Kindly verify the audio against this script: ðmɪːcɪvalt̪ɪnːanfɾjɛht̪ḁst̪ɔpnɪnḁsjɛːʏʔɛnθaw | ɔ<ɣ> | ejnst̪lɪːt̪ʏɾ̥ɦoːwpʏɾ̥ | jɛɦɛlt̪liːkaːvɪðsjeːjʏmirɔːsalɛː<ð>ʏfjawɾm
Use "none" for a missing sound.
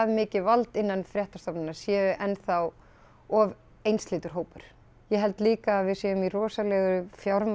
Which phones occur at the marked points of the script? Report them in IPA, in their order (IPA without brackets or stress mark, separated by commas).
v, ɣ